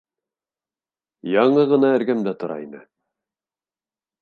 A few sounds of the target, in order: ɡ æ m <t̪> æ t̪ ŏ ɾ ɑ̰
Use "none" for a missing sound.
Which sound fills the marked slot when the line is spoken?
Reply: d̪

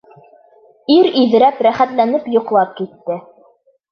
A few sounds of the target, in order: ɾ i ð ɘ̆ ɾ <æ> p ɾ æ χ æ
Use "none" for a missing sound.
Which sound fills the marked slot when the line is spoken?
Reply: æ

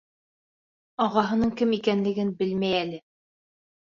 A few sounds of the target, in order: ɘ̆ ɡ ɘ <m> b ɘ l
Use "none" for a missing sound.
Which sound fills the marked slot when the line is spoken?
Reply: n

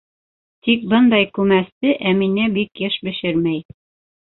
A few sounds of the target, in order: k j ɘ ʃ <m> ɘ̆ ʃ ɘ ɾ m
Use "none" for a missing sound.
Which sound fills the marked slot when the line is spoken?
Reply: b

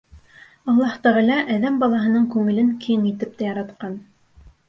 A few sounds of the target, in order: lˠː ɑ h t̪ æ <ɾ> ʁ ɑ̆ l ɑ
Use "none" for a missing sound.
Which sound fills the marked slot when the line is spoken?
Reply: none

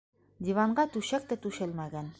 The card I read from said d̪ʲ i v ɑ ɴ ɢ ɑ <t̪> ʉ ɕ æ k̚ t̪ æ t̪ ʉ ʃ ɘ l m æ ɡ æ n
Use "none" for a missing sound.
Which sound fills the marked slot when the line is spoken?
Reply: t̪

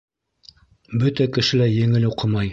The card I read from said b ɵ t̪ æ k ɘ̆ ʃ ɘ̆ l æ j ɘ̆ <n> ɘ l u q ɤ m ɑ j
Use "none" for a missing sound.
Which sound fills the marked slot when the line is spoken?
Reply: ŋ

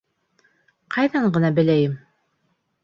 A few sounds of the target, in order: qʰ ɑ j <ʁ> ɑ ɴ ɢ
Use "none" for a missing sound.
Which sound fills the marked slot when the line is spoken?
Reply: ð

